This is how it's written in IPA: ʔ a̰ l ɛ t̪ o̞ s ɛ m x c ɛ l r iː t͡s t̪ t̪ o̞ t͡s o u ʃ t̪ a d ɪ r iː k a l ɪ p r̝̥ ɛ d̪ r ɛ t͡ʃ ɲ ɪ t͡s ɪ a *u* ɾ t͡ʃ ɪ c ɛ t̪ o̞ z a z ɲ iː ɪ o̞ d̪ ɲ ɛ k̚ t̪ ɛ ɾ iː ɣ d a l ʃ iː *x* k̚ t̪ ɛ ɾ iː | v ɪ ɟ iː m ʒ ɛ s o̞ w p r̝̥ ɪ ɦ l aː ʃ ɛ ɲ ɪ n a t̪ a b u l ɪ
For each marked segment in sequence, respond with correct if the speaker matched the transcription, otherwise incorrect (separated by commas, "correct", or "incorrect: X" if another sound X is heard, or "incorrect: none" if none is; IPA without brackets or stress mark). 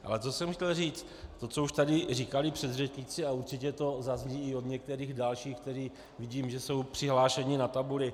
correct, correct